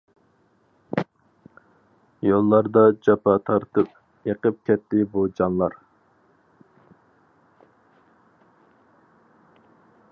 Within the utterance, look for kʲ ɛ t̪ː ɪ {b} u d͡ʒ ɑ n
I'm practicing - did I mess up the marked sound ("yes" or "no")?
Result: no